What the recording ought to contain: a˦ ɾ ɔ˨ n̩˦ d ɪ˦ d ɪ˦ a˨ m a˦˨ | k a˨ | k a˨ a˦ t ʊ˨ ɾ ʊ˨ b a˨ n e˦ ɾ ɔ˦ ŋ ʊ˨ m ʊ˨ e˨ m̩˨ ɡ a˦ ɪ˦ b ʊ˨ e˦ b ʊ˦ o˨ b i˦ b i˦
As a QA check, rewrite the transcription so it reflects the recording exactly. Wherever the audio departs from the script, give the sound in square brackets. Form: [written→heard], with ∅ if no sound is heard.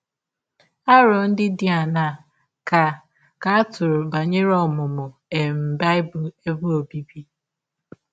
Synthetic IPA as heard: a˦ ɾ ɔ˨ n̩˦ d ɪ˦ d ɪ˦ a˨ [m→n] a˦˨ | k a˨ | k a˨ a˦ t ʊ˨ ɾ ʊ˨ b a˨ [n→ɲ] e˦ ɾ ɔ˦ [ŋ→m] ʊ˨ m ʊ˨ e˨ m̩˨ [ɡ→b] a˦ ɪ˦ b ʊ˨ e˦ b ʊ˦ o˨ b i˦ b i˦